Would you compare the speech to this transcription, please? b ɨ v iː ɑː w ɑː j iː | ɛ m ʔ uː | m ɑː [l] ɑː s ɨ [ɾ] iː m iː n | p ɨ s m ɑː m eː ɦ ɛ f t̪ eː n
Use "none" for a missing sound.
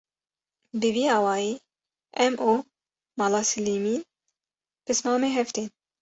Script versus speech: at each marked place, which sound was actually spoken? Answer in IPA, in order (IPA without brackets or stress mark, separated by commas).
l, l